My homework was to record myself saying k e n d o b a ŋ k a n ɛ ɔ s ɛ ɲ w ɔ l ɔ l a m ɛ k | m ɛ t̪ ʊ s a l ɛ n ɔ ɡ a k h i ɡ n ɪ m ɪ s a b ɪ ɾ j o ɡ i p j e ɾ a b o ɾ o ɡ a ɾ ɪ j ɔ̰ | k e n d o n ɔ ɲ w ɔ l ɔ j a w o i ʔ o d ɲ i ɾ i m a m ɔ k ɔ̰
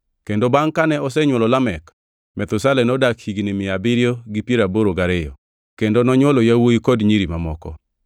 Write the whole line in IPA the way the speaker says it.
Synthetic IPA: k e n d o b a ŋ k a n ɛ ɔ s ɛ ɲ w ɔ l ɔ l a m ɛ k | m ɛ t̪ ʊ s a l ɛ n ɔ d a k h i ɡ n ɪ m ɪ a b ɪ ɾ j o ɡ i p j e ɾ a b o ɾ o ɡ a ɾ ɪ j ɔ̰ | k e n d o n ɔ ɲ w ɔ l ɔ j a w o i k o d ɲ i ɾ i m a m ɔ k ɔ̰